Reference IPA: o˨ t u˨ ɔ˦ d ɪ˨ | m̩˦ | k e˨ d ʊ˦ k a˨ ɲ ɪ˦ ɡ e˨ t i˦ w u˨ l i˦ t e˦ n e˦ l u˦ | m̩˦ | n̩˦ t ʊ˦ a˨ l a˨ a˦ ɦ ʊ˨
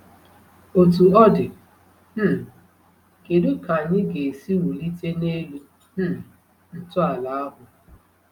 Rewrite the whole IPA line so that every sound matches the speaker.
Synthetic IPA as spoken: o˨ t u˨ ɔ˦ d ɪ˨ | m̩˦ | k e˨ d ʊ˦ k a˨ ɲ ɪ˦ ɡ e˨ s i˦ w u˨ l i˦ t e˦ n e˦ l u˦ | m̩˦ | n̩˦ t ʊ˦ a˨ l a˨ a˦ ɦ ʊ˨